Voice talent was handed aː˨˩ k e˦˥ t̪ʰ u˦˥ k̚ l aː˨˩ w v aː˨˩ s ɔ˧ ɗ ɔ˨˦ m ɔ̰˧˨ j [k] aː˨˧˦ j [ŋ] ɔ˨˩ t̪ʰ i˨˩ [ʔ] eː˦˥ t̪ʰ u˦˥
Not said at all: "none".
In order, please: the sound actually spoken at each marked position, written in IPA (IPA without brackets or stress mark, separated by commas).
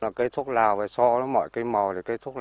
k, m, k